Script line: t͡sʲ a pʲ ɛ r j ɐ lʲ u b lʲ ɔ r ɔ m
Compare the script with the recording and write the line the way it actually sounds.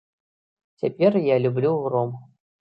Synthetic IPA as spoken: t͡sʲ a pʲ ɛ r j a lʲ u b lʲ u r ɔ m